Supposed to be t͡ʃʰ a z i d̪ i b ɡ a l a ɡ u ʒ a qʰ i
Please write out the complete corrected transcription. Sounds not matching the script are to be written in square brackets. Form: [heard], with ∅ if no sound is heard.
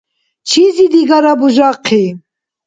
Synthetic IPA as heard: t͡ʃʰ [i] z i d̪ i [∅] ɡ a [ɾ] a [b] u ʒ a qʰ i